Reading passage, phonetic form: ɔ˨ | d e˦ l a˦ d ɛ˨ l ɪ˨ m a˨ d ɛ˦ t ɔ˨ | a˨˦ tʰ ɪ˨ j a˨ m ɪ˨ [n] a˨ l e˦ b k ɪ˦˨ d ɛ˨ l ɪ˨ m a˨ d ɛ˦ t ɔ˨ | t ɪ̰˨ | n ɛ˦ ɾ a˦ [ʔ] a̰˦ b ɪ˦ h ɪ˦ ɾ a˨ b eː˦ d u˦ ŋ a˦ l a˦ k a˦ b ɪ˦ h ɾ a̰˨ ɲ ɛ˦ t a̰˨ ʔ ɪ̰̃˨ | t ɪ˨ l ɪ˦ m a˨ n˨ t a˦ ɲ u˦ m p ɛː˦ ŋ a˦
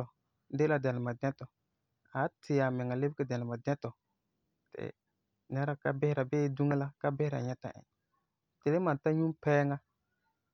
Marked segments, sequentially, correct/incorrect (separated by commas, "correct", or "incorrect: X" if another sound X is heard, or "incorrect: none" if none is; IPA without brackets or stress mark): incorrect: ŋ, incorrect: k